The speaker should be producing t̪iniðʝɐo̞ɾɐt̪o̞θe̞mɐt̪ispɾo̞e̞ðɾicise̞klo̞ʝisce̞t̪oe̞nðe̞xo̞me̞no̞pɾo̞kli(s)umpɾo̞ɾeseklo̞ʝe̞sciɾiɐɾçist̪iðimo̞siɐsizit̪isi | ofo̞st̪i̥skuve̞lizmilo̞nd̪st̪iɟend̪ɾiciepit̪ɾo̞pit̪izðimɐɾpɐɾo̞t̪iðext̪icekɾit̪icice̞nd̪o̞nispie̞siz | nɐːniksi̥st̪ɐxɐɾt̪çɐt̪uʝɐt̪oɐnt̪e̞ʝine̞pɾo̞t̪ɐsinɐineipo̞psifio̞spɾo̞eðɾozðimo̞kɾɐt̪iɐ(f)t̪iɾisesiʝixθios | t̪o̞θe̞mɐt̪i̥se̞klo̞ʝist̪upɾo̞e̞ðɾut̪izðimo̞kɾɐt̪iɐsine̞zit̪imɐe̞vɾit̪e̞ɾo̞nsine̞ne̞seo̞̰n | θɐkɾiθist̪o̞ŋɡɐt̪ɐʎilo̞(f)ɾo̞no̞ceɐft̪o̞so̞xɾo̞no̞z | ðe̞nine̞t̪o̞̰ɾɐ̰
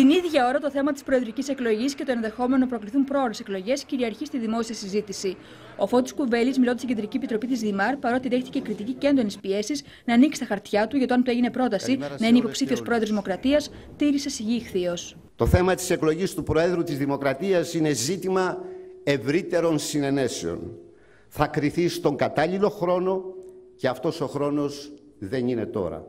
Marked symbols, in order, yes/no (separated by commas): no, no, no